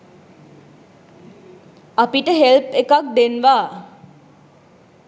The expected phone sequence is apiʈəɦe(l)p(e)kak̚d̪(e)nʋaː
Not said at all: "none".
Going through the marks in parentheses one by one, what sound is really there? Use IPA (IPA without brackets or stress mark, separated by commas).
l, e, e